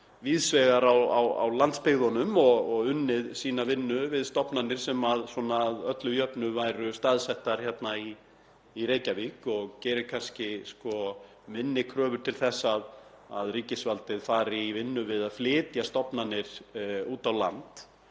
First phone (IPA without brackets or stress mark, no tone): v